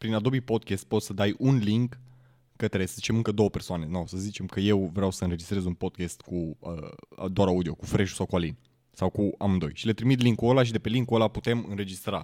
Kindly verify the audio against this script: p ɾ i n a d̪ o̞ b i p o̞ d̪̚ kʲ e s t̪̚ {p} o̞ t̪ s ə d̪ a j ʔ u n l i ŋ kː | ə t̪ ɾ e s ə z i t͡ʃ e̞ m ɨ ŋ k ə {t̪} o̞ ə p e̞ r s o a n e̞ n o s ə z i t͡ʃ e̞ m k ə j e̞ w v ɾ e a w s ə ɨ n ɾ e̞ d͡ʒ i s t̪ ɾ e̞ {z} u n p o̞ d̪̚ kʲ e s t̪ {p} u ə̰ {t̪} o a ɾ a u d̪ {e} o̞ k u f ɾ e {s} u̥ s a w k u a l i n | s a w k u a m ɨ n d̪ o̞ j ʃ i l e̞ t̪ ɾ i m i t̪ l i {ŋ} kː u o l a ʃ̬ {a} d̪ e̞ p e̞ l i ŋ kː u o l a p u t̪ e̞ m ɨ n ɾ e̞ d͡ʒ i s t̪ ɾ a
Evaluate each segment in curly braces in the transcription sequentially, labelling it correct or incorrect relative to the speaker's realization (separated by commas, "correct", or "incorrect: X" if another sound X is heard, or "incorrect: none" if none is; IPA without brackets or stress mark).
correct, incorrect: d̪, correct, incorrect: k, incorrect: d̪, incorrect: i, incorrect: ʃ, correct, incorrect: i